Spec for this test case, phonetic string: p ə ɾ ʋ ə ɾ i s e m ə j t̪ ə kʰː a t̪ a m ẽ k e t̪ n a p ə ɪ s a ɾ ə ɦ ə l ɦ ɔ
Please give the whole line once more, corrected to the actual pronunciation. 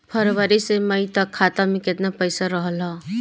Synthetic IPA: pʰ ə ɾ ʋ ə ɾ i s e m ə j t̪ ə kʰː a t̪ a m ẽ k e t̪ n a p ə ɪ s a ɾ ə ɦ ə l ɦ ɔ

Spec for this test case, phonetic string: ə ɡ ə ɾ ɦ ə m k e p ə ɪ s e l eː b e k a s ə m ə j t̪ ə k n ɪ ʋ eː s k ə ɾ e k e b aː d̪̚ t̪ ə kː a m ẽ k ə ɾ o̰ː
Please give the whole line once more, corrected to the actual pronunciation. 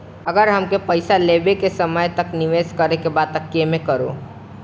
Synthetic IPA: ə ɡ ə ɾ ɦ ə m k e p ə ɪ s a l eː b e k e s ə m ə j t̪ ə k n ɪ ʋ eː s k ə ɾ e k e b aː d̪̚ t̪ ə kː e m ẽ k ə ɾ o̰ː

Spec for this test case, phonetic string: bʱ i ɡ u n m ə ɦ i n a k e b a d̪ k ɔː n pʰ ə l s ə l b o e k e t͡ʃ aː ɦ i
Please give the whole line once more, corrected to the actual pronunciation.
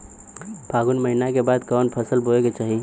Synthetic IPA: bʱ a ɡ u n m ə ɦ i n a k e b a d̪ k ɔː n pʰ ə s ə l b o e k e t͡ʃ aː ɦ i

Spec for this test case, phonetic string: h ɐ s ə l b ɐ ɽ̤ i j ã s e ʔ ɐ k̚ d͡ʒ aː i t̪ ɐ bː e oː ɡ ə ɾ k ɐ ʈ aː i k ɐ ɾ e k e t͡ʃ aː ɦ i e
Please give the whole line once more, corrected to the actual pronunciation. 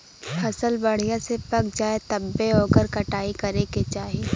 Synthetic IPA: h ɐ s ə l b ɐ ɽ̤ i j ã s e p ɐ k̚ d͡ʒ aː e t̪ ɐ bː e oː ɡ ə ɾ k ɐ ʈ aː i k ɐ ɾ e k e t͡ʃ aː ɦ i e

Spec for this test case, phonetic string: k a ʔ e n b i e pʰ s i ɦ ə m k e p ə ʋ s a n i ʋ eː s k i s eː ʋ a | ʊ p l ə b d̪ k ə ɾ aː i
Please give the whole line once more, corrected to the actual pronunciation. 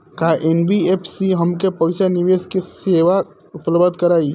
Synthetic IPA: k a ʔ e n b i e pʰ s i ɦ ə m k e p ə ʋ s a n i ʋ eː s k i s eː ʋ a | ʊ p l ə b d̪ k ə ɾ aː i

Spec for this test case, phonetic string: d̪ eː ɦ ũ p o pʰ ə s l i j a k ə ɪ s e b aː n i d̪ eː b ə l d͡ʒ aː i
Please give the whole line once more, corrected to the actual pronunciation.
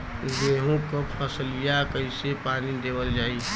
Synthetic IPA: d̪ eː ɦ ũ k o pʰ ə s l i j a k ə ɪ s e p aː n i d̪ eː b ə l d͡ʒ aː i

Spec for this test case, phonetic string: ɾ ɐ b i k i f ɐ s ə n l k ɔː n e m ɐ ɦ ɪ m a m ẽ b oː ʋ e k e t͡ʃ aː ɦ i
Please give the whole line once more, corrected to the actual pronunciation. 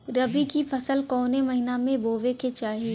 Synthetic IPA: ɾ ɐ b i k i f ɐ s ə l k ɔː n e m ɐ ɦ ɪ n a m ẽ b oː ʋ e k e t͡ʃ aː ɦ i

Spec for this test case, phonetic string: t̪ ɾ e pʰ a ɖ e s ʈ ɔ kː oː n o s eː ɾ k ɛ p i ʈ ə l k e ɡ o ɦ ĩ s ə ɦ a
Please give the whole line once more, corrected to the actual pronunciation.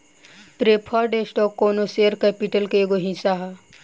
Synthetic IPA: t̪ ɾ e pʰ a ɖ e s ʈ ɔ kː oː n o s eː ɾ k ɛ p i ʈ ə l k e ɡ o ɦ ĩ s a ɦ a

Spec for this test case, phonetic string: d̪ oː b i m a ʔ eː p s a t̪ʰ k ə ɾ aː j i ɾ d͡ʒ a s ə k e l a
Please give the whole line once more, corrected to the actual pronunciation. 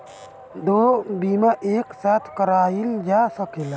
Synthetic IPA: d̪ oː b i m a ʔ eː k s a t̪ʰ k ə ɾ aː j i l d͡ʒ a s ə k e l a

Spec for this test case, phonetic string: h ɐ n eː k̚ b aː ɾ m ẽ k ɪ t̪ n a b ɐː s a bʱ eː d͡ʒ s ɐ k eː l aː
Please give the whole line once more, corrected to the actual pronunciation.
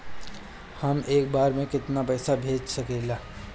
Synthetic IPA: h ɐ m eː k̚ b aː ɾ m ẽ k ɪ t̪ n a p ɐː s a bʱ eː d͡ʒ s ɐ k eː l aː

